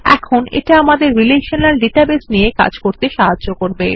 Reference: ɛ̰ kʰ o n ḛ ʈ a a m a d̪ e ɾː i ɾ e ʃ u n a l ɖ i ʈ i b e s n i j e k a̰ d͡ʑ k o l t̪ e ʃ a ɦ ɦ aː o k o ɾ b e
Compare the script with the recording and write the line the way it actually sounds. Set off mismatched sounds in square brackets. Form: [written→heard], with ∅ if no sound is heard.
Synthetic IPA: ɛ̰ kʰ o n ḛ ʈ a a m a d̪ e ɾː i [ɾ→l] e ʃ [u→o] n a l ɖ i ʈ [i→a] b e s n i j e k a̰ d͡ʑ k o [l→ɾ] t̪ e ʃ a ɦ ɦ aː o k o ɾ b e